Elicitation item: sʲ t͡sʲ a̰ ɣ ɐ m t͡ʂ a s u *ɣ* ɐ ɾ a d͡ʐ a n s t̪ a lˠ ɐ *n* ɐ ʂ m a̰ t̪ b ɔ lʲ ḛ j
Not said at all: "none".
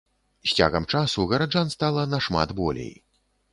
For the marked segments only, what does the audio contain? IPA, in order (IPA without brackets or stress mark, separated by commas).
ɣ, n